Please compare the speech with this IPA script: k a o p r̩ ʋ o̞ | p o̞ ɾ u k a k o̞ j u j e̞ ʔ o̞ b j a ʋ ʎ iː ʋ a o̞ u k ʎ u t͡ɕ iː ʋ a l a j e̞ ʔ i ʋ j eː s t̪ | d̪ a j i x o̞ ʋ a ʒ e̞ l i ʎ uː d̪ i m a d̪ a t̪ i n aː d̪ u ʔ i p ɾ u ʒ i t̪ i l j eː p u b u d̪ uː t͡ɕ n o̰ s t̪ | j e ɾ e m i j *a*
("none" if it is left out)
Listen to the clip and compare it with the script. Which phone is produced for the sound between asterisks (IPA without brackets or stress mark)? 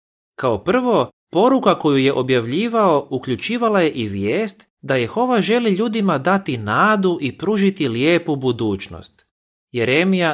a